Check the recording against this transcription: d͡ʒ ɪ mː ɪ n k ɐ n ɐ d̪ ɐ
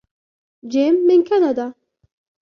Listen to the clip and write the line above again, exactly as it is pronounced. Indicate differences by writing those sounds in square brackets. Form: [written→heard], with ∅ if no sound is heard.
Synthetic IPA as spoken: d͡ʒ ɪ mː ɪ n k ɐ n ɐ d̪ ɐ